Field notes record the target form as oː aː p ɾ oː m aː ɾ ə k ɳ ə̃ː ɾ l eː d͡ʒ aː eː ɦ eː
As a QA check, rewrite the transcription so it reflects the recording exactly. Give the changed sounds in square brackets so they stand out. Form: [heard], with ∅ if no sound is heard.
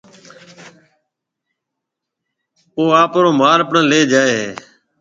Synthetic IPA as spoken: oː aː p ɾ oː m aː ɾ ə [p] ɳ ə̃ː [∅] l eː d͡ʒ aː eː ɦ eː